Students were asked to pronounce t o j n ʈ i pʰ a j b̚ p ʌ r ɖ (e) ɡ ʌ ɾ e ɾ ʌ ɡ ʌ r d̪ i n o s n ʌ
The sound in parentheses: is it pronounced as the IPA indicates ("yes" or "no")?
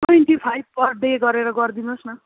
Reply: yes